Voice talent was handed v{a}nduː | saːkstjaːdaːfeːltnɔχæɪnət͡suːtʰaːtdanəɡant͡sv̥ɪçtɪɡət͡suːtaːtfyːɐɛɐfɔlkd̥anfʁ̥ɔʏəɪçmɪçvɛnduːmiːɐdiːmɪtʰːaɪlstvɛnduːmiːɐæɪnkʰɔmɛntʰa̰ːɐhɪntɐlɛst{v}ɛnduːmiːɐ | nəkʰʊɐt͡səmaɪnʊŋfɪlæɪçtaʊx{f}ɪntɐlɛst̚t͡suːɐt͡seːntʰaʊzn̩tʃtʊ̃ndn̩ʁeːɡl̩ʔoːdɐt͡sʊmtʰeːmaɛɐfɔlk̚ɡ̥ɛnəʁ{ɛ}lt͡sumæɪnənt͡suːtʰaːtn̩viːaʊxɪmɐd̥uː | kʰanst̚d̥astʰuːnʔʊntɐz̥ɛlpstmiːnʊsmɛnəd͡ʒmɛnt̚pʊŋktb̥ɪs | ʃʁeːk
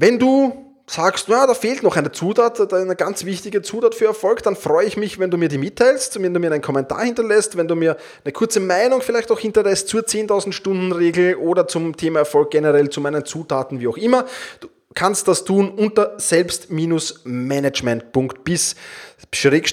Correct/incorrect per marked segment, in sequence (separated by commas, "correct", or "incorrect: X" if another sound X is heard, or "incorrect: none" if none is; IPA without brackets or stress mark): incorrect: ɛ, correct, incorrect: h, correct